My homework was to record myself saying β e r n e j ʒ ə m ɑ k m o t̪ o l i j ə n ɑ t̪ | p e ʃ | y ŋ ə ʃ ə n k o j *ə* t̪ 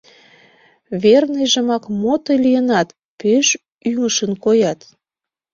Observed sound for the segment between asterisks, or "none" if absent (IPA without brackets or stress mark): ɑ